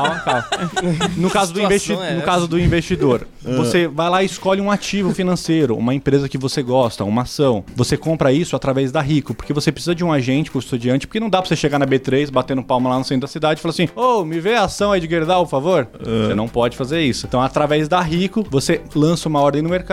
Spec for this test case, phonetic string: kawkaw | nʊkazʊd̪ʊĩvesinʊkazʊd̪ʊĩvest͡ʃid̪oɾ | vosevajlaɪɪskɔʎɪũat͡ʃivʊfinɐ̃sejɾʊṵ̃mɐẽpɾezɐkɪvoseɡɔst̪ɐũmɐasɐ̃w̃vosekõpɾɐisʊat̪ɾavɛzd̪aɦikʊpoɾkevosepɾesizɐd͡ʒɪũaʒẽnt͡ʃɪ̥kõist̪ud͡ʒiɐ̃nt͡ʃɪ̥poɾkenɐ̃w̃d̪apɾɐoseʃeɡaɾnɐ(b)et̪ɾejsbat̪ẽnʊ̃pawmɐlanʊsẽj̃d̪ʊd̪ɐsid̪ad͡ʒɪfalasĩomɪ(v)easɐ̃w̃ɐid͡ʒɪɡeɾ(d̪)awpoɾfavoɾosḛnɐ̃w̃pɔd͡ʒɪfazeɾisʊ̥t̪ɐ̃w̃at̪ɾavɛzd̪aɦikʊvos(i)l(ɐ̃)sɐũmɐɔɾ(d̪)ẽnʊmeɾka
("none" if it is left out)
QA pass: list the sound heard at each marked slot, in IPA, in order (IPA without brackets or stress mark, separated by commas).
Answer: b, v, d̪, e, ɐ̃, d̪